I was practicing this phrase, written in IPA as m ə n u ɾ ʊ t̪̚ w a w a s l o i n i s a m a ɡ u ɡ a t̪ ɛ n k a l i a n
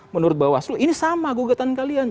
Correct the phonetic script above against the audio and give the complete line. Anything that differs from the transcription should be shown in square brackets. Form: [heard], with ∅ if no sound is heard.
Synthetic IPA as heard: m ə n u ɾ ʊ t̪̚ [b] a w a s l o i n i s a m a ɡ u ɡ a t̪ [a] n k a l i a n